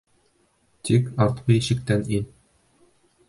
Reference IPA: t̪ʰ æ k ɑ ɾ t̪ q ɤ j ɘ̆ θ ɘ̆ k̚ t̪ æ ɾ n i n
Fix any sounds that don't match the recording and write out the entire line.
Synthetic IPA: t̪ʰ i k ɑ ɾ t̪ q ɤ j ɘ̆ ɕ ɘ̆ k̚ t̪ æ n i n